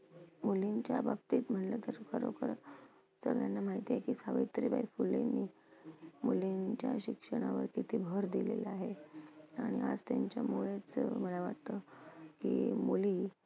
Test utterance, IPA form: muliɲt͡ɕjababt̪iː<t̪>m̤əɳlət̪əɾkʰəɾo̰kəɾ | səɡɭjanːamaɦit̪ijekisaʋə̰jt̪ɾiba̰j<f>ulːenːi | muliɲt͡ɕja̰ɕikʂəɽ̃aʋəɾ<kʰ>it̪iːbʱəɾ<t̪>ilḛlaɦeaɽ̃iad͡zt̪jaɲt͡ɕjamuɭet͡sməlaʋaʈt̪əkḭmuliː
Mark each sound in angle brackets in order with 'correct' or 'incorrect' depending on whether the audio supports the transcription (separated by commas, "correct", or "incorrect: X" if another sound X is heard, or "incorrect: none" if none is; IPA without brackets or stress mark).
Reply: correct, correct, incorrect: k, incorrect: d̪